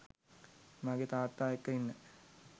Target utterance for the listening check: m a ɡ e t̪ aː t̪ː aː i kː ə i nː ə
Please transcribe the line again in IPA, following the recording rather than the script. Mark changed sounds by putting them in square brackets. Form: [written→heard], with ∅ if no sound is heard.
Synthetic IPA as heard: m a ɡ e t̪ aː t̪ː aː [i→e] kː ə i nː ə